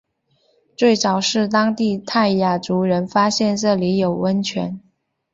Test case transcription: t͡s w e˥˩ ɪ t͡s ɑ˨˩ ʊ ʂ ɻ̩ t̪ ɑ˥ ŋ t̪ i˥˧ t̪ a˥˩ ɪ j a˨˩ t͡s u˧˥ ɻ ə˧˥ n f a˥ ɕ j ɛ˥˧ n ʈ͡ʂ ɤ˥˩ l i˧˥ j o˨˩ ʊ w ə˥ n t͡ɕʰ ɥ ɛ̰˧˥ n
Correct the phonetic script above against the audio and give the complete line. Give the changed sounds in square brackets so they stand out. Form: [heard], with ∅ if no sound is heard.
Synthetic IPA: t͡s w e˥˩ ɪ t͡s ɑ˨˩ ʊ ʂ ɻ̩ t̪ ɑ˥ ŋ t̪ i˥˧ [t̪ʰ] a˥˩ ɪ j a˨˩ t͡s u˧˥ ɻ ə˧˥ n f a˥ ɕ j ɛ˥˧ n ʈ͡ʂ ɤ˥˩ l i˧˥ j o˨˩ ʊ w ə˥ n t͡ɕʰ ɥ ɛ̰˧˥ n